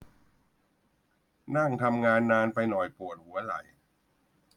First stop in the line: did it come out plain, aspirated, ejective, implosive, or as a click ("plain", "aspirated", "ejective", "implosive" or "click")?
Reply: aspirated